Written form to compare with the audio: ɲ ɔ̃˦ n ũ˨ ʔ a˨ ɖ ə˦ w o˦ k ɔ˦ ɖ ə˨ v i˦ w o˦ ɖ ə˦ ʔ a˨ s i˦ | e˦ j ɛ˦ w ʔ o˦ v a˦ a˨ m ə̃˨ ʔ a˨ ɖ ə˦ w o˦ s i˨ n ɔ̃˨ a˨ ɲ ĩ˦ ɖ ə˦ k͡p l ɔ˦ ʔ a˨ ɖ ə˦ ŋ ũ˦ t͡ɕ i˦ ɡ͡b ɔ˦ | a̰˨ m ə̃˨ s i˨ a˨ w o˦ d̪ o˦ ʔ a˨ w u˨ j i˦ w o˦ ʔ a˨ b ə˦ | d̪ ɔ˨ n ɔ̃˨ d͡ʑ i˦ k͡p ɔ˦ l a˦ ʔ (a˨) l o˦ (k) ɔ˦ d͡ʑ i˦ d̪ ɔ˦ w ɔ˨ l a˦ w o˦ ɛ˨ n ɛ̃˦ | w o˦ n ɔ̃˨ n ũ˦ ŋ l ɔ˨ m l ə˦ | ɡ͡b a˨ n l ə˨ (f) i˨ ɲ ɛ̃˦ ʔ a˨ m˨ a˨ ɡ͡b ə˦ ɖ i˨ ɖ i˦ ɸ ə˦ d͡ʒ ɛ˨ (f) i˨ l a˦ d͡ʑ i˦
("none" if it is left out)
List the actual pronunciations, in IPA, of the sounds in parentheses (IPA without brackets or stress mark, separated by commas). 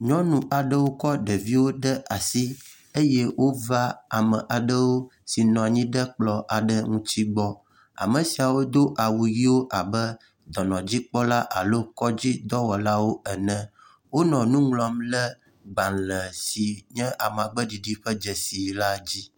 a˨, k, s, s